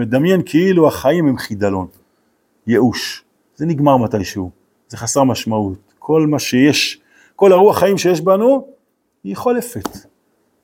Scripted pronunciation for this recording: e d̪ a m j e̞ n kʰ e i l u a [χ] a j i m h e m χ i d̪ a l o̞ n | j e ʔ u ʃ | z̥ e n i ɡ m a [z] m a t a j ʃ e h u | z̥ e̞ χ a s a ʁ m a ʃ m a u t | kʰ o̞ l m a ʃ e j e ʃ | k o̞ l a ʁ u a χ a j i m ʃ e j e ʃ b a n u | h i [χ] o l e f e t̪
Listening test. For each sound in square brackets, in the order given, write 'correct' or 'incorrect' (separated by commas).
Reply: correct, incorrect, correct